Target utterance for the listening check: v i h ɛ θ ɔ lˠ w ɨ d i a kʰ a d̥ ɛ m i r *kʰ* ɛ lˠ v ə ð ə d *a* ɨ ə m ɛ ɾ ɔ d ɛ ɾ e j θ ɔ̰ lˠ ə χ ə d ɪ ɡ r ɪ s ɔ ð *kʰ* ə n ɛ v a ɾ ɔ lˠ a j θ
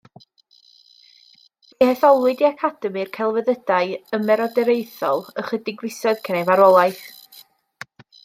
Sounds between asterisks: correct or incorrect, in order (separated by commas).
correct, correct, correct